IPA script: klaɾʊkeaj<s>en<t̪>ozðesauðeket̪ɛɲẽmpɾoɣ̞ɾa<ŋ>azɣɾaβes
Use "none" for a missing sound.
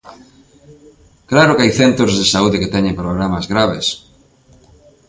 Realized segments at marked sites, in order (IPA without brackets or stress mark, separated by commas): θ, t̪, m